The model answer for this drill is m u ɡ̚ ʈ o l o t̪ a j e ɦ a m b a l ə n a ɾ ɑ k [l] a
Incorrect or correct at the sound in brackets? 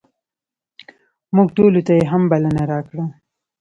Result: incorrect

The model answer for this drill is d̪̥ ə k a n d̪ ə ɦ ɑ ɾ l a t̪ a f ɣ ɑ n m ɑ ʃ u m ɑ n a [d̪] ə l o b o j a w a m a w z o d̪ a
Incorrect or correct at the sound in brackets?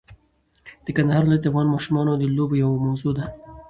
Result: correct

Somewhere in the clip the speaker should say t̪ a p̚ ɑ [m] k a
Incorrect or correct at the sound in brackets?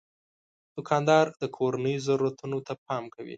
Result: correct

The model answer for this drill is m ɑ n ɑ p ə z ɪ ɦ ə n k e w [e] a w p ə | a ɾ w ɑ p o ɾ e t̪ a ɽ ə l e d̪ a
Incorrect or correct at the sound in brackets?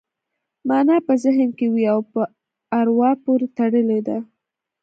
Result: incorrect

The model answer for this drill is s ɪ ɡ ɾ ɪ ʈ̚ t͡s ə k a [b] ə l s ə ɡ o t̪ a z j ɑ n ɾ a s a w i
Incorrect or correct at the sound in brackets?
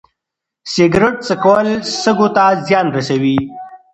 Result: incorrect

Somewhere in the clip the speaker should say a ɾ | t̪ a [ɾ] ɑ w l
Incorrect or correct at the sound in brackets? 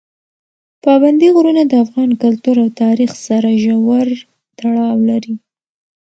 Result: incorrect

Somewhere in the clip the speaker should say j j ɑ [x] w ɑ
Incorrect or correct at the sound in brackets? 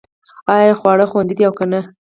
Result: correct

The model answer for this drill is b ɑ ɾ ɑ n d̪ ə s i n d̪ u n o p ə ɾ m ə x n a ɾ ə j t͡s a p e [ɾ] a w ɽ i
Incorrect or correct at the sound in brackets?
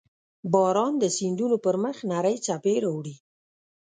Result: correct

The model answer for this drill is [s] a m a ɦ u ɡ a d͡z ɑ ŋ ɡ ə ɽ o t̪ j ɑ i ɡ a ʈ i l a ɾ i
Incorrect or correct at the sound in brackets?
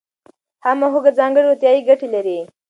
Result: incorrect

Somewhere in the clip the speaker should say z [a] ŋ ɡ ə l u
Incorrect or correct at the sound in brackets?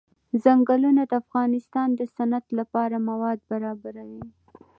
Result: correct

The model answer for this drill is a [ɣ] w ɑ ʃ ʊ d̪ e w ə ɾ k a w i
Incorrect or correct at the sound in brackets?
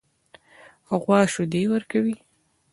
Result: correct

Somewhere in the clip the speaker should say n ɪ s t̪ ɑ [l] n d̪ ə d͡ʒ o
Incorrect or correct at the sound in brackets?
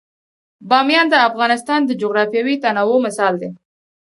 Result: incorrect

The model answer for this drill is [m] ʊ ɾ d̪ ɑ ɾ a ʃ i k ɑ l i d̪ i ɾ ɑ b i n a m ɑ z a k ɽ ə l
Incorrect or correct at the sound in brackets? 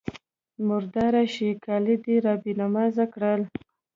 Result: correct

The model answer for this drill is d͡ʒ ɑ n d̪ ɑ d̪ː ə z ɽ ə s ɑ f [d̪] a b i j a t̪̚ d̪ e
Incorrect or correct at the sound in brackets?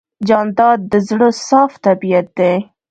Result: incorrect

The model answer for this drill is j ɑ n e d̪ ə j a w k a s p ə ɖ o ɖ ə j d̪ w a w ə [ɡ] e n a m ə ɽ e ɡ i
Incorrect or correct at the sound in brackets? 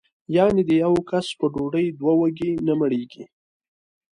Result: correct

